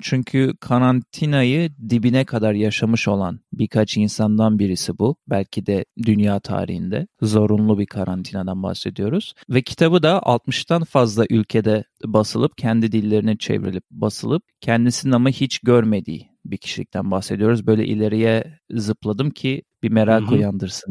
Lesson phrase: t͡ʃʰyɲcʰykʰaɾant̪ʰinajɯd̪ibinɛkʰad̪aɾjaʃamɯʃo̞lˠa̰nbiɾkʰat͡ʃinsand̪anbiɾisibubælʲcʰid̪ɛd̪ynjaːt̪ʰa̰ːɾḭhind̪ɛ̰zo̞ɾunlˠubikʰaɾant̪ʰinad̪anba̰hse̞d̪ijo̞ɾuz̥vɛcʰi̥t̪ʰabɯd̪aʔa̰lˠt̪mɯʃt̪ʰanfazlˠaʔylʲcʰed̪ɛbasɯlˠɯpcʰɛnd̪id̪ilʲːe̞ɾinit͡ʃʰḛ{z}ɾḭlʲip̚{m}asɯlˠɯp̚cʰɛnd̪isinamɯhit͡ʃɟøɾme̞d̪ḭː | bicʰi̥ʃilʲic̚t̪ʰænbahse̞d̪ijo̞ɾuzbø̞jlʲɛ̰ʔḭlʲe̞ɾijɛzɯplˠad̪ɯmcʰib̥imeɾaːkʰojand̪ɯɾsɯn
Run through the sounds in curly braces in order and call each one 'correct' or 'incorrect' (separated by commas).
incorrect, incorrect